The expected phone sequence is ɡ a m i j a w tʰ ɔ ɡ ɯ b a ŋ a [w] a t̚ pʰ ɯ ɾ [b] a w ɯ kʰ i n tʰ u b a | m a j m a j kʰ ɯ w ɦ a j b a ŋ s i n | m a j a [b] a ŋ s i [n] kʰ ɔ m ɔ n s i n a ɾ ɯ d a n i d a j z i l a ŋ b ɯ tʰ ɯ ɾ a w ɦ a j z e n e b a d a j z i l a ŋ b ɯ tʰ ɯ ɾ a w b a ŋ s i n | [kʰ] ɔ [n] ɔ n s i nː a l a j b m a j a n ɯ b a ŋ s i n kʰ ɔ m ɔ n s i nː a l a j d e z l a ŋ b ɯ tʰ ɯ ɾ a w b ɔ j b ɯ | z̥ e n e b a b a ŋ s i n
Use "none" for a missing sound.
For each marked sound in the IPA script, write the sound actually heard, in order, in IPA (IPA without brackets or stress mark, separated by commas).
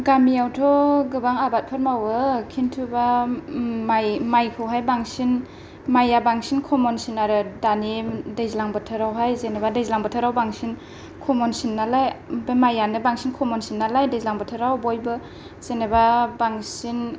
b, m, b, n, kʰ, m